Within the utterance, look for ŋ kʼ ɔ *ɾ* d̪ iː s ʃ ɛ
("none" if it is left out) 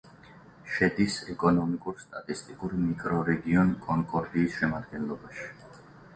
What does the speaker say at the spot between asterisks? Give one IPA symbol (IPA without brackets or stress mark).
ɾ